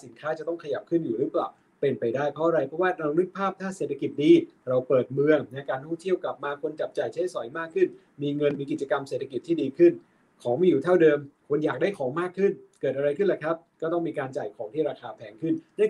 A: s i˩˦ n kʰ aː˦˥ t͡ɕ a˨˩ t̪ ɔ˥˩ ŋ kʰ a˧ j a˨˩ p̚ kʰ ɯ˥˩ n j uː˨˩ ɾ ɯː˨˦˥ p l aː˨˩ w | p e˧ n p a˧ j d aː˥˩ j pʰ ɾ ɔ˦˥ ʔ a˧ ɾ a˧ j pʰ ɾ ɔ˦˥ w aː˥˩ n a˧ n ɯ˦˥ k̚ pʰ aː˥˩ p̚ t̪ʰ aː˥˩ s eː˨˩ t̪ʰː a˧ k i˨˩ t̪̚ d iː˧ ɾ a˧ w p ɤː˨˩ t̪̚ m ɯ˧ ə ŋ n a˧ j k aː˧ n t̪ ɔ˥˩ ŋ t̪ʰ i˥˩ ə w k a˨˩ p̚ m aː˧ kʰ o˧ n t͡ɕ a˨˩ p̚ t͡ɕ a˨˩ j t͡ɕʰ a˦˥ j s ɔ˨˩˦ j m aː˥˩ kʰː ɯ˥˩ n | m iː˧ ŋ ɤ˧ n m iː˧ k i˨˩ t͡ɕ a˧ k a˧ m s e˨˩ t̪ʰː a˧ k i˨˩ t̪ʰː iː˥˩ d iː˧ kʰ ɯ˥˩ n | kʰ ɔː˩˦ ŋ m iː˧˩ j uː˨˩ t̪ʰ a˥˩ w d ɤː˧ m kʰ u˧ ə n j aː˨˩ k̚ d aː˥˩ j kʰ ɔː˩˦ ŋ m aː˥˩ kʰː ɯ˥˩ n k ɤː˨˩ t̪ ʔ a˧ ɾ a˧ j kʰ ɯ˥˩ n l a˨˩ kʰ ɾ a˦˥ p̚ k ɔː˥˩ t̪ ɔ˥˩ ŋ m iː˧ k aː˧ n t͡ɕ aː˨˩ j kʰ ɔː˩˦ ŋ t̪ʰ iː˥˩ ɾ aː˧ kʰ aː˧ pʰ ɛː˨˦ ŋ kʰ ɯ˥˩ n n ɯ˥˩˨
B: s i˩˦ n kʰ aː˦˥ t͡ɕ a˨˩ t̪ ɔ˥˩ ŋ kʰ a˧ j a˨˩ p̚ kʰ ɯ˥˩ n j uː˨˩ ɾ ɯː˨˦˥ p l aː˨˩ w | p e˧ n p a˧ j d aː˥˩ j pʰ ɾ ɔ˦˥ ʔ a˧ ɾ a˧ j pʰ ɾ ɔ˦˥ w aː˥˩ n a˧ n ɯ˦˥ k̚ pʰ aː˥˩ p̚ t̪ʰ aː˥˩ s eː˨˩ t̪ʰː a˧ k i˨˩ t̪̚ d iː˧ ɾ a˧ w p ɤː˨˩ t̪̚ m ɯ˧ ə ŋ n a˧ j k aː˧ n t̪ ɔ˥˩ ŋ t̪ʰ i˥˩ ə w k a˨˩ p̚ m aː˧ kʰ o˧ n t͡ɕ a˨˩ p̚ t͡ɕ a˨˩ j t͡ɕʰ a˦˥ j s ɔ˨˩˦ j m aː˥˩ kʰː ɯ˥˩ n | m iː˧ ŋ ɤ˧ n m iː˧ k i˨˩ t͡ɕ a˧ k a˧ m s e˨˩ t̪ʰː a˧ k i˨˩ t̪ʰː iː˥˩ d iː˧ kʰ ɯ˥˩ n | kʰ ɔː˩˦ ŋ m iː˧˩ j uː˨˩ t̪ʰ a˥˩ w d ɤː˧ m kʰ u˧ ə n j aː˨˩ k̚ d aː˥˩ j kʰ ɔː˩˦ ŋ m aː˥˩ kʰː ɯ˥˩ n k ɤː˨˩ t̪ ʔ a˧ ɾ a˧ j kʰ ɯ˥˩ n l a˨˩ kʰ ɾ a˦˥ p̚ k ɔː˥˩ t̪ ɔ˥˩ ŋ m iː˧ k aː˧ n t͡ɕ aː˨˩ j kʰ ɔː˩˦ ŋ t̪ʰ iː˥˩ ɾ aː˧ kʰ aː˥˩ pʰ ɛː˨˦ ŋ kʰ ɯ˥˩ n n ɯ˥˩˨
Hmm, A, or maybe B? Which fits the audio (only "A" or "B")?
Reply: A